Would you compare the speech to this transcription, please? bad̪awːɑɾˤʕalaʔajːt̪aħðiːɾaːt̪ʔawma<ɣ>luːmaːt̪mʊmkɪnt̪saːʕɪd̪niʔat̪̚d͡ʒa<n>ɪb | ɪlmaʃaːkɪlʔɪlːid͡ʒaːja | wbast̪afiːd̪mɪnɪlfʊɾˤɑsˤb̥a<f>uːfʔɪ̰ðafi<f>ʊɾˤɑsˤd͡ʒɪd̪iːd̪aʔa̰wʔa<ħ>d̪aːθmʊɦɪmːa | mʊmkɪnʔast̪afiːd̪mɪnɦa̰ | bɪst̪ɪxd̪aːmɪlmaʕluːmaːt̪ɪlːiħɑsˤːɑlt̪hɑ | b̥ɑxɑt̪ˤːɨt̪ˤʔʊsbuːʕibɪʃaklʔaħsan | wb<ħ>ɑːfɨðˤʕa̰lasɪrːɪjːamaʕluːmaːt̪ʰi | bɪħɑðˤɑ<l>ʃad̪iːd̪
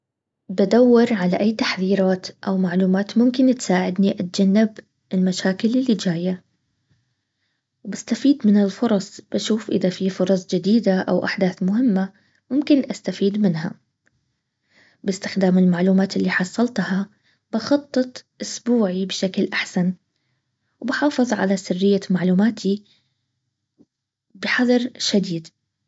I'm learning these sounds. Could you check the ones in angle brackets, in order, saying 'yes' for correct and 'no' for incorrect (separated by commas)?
no, no, no, yes, yes, yes, no